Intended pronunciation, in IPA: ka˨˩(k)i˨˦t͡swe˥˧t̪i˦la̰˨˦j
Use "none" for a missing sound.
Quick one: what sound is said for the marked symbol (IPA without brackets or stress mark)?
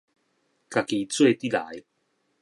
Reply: k